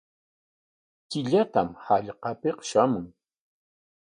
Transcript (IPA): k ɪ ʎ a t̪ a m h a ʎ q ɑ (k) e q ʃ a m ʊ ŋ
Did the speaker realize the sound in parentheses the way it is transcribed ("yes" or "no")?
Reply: no